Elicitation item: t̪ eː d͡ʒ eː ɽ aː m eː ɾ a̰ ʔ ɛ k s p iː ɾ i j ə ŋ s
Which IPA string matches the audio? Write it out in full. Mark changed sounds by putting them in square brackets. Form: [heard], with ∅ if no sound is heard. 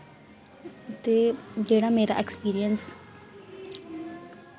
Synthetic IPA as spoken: t̪ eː d͡ʒ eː ɽ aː m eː ɾ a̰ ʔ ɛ k s p iː ɾ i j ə [n] s